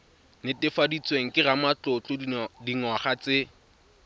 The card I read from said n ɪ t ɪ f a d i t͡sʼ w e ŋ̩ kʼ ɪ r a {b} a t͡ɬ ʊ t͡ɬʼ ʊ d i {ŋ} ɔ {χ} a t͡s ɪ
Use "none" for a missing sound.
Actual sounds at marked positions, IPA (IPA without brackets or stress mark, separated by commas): m, ŋ, χ